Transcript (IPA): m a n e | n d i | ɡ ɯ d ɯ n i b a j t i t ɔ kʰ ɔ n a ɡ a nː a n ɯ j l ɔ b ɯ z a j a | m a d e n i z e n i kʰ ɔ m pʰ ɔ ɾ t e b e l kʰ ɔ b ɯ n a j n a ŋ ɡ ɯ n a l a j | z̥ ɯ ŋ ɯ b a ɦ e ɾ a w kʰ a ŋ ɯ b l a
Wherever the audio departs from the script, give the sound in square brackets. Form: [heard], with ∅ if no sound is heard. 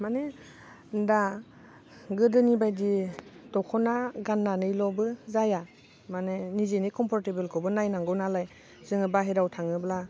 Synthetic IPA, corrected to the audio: m a n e | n d [a] | ɡ ɯ d ɯ n i b a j [d] i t ɔ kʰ ɔ n a ɡ a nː a n ɯ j l ɔ b ɯ z a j a | m a [n] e n i z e n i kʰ ɔ m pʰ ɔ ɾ t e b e l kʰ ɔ b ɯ n a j n a ŋ ɡ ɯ n a l a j | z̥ ɯ ŋ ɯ b a ɦ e ɾ a w [tʰ] a ŋ ɯ b l a